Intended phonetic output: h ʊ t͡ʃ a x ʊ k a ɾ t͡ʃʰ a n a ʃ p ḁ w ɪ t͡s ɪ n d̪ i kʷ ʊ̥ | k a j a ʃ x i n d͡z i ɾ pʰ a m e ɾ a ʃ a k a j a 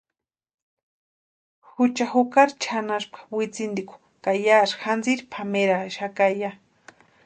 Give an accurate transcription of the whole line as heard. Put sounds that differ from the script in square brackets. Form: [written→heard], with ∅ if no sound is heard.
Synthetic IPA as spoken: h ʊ t͡ʃ a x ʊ k a ɾ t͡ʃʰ a n a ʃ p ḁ w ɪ t͡s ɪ n d̪ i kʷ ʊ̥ | k a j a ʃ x [i→a] n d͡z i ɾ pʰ a m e ɾ a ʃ a k a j a

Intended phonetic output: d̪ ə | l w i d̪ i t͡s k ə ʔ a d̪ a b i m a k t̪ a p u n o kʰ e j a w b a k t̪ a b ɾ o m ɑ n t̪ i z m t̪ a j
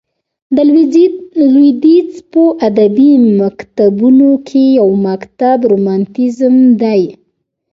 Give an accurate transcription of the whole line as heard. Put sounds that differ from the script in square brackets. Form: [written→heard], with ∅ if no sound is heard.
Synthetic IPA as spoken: d̪ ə | l w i d̪ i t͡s [k→p] ə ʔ a d̪ a b i m a k t̪ a [p→b] u n o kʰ e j a w [b→m] a k t̪ a b ɾ o m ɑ n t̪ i z m [t̪→d̪] a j

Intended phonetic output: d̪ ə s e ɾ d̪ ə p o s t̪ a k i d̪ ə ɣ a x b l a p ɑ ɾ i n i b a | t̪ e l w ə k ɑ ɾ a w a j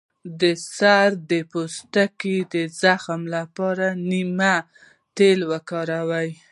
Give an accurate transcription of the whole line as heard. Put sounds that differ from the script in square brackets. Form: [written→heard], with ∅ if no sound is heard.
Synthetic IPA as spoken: d̪ ə s [e→a] ɾ d̪ ə p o s t̪ a k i d̪ ə [ɣ→z] a x [b→m] l a p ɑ ɾ [i→a] n i [b→m] a | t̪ e l w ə k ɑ ɾ a w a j

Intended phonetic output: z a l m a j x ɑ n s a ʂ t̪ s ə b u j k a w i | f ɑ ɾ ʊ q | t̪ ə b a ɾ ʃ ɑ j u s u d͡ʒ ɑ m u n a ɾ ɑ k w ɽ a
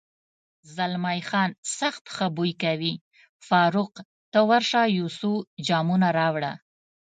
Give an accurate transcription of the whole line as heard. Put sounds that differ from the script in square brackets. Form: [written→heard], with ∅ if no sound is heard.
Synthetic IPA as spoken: z a l m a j x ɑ n s a [ʂ→x] t̪ [s→x] ə b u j k a w i | f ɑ ɾ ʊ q | t̪ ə [b→w] a ɾ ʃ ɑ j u s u d͡ʒ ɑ m u n a ɾ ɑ [k→∅] w ɽ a

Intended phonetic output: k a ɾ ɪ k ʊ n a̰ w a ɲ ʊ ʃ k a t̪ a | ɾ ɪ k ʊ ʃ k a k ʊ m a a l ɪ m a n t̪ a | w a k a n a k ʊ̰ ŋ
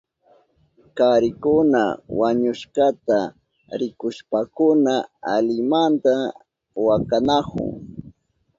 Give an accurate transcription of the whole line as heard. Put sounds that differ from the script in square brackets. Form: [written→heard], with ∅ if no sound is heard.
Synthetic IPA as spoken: k a ɾ ɪ k ʊ n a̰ w a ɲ ʊ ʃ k a t̪ a | ɾ ɪ k ʊ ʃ [k→p] a k ʊ [m→n] a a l ɪ m a n t̪ a | w a k a n a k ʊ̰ ŋ

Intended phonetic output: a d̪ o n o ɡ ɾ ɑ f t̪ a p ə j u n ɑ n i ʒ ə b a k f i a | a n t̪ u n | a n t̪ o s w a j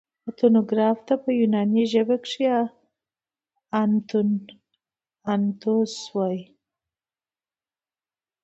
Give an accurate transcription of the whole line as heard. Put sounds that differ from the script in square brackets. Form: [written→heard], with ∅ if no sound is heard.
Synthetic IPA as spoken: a [d̪→t̪] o n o ɡ ɾ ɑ f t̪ a p ə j u n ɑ n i ʒ ə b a k [f→ʂ] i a | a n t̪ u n | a n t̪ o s w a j

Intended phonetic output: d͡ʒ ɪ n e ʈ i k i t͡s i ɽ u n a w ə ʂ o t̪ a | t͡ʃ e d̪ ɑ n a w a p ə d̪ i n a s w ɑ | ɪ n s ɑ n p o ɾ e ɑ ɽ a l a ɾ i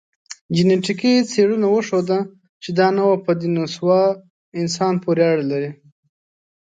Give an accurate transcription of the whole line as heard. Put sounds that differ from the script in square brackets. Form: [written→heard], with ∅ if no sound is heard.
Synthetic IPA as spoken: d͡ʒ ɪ n e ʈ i k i t͡s [i→e] ɽ u n a w ə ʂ o [t̪→d̪] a | t͡ʃ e d̪ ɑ n a w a p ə d̪ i n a s w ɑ | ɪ n s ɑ n p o ɾ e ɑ ɽ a l a ɾ i

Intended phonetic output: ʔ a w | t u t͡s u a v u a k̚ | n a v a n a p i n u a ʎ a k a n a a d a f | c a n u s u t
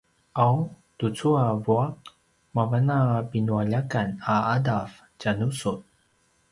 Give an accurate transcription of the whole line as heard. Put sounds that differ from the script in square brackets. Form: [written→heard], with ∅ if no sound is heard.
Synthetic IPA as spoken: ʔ a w | t u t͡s u a v u a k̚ | [n→m] a v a n a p i n u a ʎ a k a n a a d a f | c a n u s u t

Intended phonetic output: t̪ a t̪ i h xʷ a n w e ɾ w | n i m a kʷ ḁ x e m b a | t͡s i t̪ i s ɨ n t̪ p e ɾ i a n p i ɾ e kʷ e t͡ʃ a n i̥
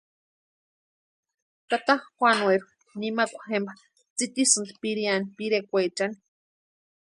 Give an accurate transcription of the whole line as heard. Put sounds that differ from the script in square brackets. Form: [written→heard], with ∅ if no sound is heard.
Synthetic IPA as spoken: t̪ a t̪ [i→a] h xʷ a n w e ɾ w | n i m a kʷ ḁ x e m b a | t͡s i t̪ i s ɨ n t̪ p [e→i] ɾ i a n p i ɾ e kʷ e t͡ʃ a n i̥

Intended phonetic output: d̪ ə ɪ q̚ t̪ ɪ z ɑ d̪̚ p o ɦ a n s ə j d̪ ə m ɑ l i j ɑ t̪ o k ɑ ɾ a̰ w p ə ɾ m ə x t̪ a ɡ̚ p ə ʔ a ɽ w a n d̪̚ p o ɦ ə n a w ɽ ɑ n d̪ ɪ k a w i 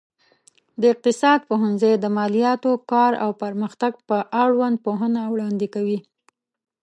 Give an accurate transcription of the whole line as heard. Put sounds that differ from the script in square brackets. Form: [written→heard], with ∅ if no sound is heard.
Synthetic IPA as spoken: d̪ ə ɪ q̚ t̪ ɪ [z→s] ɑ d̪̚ p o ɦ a n [s→z] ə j d̪ ə m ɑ l i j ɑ t̪ o k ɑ ɾ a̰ w p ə ɾ m ə x t̪ a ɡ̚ p ə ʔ a ɽ w a n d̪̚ p o ɦ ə n a w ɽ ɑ n d̪ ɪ k a w i

